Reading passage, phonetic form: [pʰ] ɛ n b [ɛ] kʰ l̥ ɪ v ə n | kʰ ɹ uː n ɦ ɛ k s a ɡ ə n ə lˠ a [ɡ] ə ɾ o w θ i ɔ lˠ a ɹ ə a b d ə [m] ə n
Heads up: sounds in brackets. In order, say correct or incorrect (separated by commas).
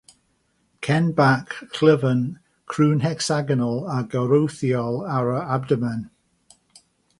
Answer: incorrect, incorrect, correct, correct